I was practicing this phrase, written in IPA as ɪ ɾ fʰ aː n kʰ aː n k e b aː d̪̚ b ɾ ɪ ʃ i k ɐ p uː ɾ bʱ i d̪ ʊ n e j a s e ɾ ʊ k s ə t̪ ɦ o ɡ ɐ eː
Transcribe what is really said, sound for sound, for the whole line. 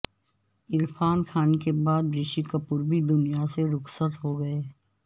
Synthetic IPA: ɪ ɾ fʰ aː n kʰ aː n k e b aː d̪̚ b ɾ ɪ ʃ i k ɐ p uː ɾ bʱ i d̪ ʊ n i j a s e ɾ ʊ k s ə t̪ ɦ o ɡ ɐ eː